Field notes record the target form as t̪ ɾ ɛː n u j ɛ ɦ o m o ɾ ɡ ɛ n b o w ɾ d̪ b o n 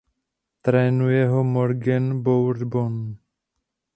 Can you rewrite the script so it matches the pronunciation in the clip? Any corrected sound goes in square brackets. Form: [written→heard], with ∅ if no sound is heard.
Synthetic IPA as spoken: t̪ ɾ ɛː n u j ɛ ɦ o m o ɾ ɡ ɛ n b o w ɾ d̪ b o n